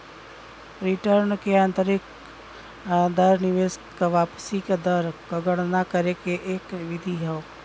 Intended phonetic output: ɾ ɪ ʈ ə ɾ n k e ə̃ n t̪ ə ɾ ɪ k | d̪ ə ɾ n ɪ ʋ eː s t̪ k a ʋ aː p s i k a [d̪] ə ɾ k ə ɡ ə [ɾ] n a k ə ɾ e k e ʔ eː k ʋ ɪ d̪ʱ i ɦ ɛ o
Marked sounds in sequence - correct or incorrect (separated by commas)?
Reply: correct, incorrect